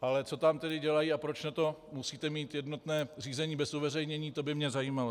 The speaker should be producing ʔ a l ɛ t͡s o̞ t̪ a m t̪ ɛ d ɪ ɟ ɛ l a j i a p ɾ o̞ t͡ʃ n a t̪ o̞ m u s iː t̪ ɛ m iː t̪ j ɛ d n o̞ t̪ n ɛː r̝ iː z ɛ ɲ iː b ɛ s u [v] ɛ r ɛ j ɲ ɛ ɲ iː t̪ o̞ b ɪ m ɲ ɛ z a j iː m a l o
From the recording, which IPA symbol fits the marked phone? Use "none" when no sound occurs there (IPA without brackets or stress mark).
v